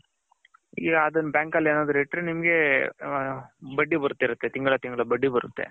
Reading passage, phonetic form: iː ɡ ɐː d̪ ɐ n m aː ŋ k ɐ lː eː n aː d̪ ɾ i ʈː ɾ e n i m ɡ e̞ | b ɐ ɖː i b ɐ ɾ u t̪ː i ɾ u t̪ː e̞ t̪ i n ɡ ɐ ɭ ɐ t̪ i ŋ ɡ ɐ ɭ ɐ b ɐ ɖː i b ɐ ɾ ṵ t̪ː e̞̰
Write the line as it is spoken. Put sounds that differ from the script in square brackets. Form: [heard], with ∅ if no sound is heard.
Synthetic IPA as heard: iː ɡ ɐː d̪ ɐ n [b] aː ŋ k ɐ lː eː n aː d̪ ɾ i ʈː ɾ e n i m ɡ e̞ | b ɐ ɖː i b ɐ ɾ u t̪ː i ɾ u t̪ː e̞ t̪ i [ŋ] ɡ ɐ ɭ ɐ t̪ i ŋ ɡ ɐ ɭ ɐ b ɐ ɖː i b ɐ ɾ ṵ t̪ː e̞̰